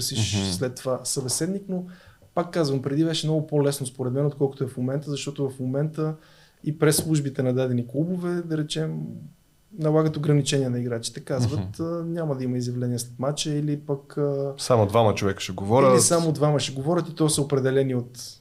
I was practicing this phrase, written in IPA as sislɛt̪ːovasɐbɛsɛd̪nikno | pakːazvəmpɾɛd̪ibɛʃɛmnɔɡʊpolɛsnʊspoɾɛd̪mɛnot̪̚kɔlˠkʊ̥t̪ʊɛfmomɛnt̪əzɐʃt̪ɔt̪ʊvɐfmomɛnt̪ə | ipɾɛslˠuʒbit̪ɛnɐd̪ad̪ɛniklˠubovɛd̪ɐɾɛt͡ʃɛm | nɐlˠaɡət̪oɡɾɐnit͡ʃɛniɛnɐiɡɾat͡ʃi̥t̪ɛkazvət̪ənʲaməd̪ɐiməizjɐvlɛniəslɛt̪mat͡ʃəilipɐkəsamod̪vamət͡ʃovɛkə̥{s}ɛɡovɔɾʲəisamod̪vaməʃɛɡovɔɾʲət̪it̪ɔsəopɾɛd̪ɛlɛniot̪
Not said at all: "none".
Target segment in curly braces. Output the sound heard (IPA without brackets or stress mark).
ʃ